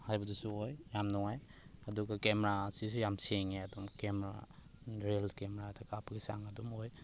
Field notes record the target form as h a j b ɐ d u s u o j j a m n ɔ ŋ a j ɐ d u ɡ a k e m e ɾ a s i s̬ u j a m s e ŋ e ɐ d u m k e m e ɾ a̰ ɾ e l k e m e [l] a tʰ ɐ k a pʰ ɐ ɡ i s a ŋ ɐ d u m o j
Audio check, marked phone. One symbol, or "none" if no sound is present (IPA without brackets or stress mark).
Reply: ɾ